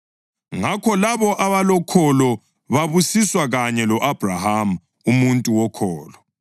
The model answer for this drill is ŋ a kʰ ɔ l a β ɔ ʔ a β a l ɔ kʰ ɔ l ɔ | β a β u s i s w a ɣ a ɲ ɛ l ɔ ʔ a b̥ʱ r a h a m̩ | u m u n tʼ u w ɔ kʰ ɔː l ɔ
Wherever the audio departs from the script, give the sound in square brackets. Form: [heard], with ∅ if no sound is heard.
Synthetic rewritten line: ŋ a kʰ ɔ l a β ɔ ʔ a β a l ɔ kʰ ɔ l ɔ | β a β u s i s w a ɣ a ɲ ɛ l ɔ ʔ a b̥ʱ r a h a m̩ | u m u n tʼ u w ɔ kʰ ɔː l ɔ